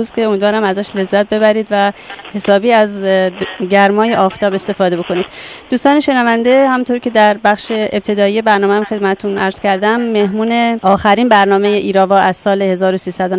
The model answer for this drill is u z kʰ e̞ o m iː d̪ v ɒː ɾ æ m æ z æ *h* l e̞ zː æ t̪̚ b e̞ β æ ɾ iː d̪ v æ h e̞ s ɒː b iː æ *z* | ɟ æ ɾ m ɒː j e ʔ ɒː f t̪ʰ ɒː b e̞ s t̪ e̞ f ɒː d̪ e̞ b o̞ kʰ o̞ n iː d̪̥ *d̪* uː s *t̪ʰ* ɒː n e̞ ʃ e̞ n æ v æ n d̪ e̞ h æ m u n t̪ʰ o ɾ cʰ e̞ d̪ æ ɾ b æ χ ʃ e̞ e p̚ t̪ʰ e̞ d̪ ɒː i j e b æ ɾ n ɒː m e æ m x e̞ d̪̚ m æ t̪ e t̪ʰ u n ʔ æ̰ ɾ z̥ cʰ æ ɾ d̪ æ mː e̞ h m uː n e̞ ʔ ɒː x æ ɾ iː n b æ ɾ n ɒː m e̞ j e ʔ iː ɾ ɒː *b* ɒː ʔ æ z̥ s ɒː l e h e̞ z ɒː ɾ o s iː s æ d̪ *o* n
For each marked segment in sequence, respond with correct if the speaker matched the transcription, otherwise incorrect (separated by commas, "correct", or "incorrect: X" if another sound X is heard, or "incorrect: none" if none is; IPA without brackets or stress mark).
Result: incorrect: ʃ, correct, correct, incorrect: t̪, incorrect: v, correct